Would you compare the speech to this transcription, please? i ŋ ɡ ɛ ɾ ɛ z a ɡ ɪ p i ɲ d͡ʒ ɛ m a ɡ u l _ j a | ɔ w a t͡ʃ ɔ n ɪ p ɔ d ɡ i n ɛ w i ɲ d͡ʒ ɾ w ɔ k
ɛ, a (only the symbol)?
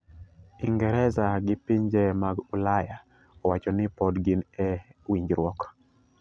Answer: a